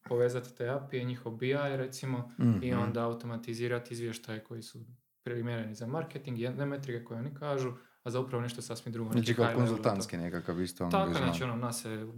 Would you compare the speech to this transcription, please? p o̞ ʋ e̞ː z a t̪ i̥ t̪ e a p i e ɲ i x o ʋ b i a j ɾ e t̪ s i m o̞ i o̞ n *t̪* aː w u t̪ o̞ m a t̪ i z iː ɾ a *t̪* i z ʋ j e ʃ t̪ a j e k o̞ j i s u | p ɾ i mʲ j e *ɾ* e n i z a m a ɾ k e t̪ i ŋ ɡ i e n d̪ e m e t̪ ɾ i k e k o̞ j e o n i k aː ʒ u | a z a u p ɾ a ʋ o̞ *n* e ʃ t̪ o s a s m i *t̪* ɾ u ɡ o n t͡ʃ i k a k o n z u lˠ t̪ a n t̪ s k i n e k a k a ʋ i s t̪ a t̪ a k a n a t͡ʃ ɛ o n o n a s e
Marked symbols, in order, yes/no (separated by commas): no, yes, yes, yes, no